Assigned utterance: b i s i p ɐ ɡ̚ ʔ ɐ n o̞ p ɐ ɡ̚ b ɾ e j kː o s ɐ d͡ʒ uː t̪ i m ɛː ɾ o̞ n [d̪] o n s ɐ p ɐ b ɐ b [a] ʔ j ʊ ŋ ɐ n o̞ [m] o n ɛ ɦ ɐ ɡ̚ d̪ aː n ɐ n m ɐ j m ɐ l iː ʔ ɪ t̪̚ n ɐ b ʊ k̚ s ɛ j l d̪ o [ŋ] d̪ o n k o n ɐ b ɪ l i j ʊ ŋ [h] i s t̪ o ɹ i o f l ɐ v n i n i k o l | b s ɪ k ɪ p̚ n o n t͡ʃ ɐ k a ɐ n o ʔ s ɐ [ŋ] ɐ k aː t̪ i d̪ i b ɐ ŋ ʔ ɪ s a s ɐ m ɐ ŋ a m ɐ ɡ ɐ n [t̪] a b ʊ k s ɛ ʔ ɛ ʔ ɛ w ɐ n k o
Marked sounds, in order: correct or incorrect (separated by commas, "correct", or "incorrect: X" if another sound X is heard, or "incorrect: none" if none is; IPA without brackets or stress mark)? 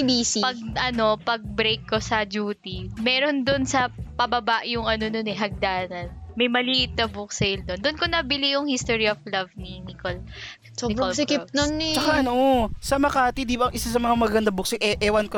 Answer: correct, correct, incorrect: n, incorrect: n, correct, incorrect: m, incorrect: d̪